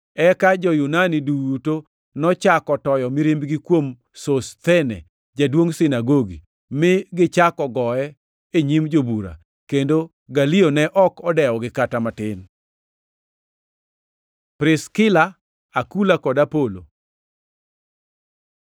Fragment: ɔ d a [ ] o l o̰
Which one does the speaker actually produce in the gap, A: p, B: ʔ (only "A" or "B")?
A